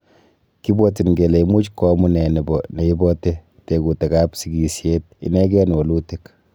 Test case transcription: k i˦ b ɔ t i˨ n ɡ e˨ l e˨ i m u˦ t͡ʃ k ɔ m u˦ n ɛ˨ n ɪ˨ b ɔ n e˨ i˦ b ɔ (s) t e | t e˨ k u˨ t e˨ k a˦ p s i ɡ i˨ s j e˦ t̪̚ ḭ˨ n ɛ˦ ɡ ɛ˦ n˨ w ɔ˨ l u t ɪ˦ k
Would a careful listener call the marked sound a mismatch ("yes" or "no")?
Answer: yes